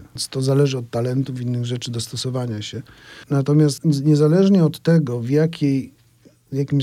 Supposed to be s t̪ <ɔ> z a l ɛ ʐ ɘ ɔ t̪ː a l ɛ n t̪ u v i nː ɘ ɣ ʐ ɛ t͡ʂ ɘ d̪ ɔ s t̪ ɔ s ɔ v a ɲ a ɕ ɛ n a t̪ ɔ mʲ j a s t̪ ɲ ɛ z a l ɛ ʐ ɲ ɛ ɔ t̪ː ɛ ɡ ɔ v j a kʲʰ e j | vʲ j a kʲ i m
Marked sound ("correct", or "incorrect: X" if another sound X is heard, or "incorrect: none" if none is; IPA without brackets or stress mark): correct